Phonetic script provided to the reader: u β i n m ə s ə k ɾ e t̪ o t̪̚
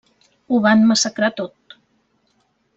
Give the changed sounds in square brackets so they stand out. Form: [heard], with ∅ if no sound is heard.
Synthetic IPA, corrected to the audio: u β [a] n m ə s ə k ɾ [a] t̪ o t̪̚